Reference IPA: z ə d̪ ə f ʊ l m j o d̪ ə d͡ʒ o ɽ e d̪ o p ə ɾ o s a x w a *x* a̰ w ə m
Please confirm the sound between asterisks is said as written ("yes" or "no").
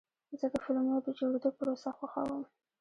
yes